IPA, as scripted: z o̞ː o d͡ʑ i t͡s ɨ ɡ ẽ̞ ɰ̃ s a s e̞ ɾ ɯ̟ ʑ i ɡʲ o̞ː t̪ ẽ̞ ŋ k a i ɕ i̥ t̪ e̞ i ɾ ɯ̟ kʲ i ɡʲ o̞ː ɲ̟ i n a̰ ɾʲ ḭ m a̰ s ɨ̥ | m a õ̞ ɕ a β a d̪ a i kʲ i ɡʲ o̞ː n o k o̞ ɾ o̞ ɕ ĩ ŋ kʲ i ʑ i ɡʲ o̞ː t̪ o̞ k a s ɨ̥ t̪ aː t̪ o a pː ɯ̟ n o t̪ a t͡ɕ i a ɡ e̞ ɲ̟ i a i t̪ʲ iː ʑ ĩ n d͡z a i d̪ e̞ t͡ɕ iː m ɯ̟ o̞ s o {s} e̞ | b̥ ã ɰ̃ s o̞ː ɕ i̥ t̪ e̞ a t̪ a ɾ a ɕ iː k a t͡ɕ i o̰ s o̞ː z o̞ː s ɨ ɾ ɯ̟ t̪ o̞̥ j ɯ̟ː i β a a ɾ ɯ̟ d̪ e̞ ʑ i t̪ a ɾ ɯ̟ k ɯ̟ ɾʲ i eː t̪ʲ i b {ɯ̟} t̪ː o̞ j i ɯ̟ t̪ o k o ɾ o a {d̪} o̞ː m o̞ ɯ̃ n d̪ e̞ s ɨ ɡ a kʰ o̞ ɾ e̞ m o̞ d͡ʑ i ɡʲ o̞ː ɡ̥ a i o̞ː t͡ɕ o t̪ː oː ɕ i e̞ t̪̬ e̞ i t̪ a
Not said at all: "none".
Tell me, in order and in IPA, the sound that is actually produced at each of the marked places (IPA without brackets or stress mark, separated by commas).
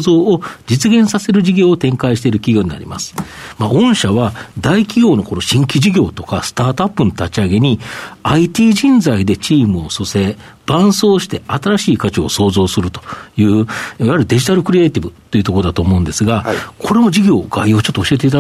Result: s, ɯ̟, t̪